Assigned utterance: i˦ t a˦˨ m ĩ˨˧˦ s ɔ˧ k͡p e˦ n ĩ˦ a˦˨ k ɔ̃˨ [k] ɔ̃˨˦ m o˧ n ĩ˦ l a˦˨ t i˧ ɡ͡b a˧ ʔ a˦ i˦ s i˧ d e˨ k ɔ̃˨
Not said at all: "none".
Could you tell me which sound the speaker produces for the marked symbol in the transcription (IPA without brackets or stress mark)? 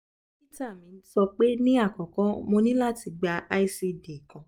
k